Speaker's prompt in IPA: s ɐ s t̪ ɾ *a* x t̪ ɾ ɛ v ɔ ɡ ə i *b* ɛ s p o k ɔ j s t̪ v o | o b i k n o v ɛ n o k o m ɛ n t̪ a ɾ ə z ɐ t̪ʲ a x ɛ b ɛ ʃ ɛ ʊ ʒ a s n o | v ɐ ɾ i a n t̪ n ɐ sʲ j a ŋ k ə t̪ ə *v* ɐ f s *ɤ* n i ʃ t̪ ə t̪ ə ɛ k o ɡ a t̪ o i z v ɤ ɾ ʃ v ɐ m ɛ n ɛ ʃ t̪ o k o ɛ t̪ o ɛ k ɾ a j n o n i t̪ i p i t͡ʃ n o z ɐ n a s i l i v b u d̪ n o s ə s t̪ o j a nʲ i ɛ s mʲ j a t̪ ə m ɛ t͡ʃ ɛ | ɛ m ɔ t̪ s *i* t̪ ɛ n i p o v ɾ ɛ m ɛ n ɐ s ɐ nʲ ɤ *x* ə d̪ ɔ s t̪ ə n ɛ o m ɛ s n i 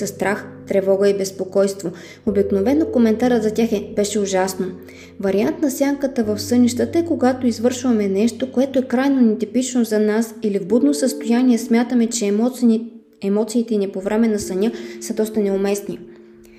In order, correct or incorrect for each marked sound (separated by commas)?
correct, correct, correct, correct, incorrect, incorrect